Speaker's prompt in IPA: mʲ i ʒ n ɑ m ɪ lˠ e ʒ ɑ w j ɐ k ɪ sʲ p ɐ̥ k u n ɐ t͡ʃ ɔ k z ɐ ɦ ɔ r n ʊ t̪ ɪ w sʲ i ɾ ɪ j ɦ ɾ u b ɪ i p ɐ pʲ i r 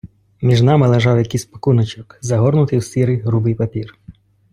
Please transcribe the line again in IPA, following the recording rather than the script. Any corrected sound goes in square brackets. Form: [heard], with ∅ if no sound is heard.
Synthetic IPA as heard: mʲ i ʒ n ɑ m ɪ lˠ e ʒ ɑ w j ɐ k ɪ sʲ p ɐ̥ k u n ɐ t͡ʃ ɔ k z ɐ ɦ ɔ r n ʊ t̪ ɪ w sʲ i ɾ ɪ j ɦ ɾ u b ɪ [j] p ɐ pʲ i r